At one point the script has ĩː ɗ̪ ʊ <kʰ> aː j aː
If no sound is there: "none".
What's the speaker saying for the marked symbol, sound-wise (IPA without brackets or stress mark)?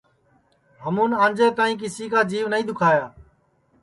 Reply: kʰ